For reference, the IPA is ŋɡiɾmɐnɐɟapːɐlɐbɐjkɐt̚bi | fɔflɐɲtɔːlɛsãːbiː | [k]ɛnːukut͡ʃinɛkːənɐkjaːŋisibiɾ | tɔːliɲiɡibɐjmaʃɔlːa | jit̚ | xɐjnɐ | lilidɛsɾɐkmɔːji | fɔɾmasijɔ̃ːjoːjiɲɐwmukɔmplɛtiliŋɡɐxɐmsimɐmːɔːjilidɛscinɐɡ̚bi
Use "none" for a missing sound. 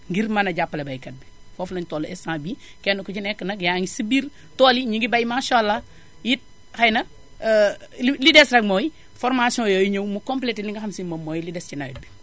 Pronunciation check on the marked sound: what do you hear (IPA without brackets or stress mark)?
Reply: k